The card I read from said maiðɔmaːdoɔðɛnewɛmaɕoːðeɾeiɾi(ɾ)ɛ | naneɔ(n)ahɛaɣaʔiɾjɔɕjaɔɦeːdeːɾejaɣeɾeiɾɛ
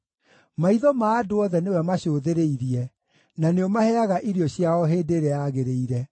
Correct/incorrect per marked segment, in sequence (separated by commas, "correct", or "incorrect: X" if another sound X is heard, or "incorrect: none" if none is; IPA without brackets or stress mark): incorrect: none, incorrect: m